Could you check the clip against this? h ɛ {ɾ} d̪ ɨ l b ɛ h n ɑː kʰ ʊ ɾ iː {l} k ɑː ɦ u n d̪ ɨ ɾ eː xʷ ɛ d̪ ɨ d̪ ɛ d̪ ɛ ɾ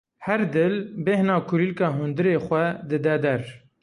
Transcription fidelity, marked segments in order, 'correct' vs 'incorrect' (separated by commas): correct, correct